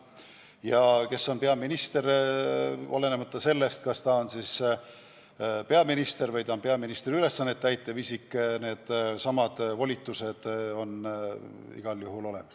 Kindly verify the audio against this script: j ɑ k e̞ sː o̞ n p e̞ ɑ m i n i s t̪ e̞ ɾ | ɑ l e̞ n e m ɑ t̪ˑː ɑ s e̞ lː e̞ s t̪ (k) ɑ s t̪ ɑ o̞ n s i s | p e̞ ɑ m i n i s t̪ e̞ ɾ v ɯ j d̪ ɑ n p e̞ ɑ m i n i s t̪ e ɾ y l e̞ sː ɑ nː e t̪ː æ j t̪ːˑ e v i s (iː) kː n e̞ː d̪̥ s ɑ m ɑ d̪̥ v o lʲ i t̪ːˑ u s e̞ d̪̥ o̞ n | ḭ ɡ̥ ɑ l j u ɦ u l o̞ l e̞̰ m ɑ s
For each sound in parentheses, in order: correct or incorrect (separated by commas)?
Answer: correct, incorrect